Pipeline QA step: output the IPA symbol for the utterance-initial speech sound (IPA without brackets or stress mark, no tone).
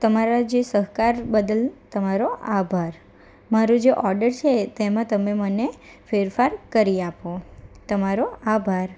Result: t̪